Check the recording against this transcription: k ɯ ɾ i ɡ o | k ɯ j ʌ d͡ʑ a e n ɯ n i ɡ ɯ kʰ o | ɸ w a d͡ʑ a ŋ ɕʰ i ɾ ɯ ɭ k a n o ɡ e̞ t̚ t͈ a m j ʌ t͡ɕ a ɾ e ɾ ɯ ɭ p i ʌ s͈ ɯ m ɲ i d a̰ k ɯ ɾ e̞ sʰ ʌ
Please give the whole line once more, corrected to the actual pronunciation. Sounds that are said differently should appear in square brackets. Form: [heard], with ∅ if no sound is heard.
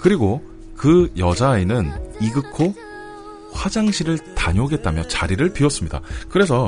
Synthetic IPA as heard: k ɯ ɾ i ɡ o | k ɯ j ʌ d͡ʑ a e n ɯ n i ɡ ɯ kʰ o | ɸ w a d͡ʑ a ŋ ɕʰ i ɾ ɯ ɭ [t] a [ɲ] o ɡ e̞ t̚ t͈ a m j ʌ t͡ɕ a ɾ [i] ɾ ɯ ɭ p i ʌ s͈ ɯ m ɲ i d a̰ k ɯ ɾ e̞ sʰ ʌ